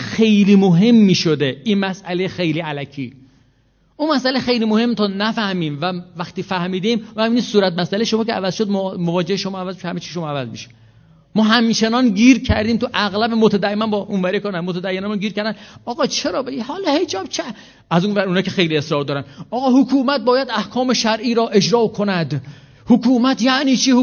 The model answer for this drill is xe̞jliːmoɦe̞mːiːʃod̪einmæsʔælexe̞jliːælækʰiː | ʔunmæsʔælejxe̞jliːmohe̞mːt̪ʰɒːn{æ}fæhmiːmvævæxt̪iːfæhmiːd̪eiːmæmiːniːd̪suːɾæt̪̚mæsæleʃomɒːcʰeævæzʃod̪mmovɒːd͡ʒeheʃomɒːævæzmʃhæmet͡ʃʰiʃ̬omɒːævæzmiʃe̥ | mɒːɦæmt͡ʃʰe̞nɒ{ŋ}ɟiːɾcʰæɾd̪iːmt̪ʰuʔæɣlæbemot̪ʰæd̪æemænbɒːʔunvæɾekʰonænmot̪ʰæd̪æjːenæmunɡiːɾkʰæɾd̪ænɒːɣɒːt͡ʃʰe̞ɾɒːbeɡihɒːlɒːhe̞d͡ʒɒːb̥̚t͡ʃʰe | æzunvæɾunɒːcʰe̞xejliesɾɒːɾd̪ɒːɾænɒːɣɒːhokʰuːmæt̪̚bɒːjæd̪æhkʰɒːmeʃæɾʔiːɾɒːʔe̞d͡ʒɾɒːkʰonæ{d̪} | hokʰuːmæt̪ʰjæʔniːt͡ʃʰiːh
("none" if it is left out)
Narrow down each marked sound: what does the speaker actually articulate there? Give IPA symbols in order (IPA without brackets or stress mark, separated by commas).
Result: æ, n, d̪